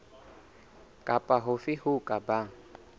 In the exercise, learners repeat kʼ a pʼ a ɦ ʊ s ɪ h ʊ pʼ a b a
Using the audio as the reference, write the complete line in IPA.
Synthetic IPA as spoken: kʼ a pʼ a ɦ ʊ f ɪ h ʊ kʼ a b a